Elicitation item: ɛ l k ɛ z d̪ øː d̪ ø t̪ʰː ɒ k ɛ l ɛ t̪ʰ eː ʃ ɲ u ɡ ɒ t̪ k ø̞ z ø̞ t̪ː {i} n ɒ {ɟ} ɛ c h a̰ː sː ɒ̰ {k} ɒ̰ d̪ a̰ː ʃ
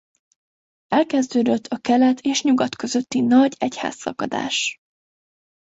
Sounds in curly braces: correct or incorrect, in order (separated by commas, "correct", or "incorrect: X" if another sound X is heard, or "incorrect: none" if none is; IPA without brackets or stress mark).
correct, correct, correct